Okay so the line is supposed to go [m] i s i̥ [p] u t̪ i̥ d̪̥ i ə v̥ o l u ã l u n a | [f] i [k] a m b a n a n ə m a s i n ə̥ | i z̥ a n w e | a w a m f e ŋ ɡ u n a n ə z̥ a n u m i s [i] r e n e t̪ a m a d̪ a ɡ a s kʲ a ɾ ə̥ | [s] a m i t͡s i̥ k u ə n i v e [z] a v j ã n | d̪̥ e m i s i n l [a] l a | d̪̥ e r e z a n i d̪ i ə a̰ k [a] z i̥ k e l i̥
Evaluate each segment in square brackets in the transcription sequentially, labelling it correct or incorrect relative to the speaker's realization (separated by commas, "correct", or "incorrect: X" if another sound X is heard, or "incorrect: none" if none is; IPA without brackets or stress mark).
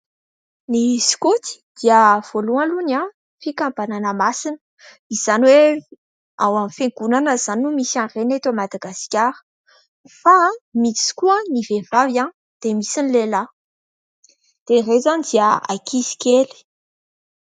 incorrect: n, incorrect: k, correct, correct, incorrect: a, incorrect: f, incorrect: v, incorrect: e, incorrect: i